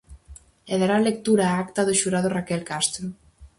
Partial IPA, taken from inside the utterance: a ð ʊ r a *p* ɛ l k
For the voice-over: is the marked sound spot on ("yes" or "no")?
no